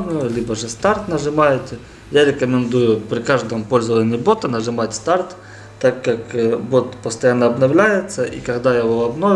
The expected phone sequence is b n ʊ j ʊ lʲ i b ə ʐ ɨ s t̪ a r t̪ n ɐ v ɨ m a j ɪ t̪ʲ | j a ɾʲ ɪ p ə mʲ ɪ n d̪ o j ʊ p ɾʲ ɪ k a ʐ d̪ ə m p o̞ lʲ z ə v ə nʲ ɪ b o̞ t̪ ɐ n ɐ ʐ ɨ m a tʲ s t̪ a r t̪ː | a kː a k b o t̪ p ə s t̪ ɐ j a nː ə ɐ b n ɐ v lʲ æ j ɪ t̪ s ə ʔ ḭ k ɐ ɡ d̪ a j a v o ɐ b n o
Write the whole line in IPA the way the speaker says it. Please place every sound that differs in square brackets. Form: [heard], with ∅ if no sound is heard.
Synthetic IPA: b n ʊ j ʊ lʲ i b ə ʐ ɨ s t̪ a r t̪ n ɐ [ʐ] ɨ m a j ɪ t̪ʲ | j a ɾʲ ɪ [k] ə mʲ ɪ n d̪ [u] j ʊ p ɾʲ ɪ k a ʐ d̪ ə m p o̞ lʲ z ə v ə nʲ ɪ b o̞ t̪ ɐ n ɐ ʐ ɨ m a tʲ s t̪ a r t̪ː | a kː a k b o t̪ p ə s t̪ ɐ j a nː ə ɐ b n ɐ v lʲ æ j ɪ t̪ s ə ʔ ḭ k ɐ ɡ d̪ a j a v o ɐ b n o